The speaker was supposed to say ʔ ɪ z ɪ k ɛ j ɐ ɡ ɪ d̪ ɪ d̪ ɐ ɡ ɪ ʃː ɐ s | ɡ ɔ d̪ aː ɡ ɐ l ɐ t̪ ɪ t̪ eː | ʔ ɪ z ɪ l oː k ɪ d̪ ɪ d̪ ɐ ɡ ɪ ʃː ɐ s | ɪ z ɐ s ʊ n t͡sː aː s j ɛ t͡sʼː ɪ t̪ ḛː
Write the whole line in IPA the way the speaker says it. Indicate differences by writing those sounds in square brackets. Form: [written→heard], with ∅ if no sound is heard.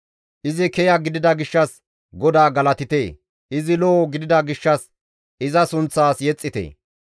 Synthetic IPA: ʔ ɪ z ɪ k ɛ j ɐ ɡ ɪ d̪ ɪ d̪ ɐ ɡ ɪ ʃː ɐ s | ɡ ɔ d̪ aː ɡ ɐ l ɐ t̪ ɪ t̪ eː | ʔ ɪ z ɪ l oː [k→ɡ] ɪ d̪ ɪ d̪ ɐ ɡ ɪ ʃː ɐ s | ɪ z ɐ s ʊ n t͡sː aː s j ɛ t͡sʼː ɪ t̪ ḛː